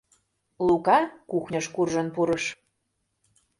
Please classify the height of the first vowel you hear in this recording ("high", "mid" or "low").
high